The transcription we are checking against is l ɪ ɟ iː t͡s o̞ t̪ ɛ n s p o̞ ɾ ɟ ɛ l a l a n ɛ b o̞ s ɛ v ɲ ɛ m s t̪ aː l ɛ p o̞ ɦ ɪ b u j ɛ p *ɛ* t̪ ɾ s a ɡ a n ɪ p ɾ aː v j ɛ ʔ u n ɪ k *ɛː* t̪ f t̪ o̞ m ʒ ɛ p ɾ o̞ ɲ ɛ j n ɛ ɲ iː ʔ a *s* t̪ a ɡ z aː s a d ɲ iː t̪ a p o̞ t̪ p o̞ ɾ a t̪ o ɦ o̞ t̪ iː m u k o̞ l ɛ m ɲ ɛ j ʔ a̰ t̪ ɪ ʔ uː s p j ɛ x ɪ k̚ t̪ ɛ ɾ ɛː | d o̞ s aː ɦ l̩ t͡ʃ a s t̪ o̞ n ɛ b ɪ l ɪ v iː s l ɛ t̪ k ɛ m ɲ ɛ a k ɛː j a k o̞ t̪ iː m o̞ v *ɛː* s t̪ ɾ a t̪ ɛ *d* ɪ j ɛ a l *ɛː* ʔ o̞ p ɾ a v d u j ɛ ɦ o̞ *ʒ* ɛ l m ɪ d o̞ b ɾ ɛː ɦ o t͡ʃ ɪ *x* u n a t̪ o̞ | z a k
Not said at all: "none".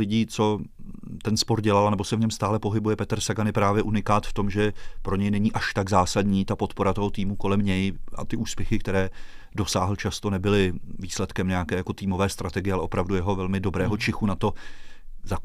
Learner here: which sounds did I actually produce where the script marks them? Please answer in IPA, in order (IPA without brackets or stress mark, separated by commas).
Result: ɛ, aː, ʃ, ɛː, ɡ, ɛ, v, x